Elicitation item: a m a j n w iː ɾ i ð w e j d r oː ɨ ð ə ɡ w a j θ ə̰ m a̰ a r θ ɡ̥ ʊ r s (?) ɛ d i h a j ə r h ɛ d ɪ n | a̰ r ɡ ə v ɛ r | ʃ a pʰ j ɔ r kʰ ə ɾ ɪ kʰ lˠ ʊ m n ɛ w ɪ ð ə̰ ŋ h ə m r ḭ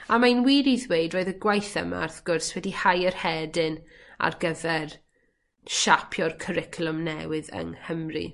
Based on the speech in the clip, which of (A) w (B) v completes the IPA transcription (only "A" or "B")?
A